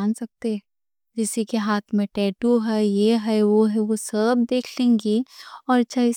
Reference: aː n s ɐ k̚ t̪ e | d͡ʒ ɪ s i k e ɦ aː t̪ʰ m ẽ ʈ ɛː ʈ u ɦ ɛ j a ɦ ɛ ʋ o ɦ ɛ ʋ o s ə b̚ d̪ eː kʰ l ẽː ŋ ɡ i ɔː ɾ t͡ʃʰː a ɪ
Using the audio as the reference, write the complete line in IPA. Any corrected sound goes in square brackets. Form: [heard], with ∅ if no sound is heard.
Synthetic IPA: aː n s ɐ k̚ t̪ e | d͡ʒ ɪ s i k e ɦ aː t̪ʰ m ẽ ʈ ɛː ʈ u ɦ ɛ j [e] ɦ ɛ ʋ o ɦ ɛ ʋ o s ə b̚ d̪ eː kʰ l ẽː ŋ ɡ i ɔː ɾ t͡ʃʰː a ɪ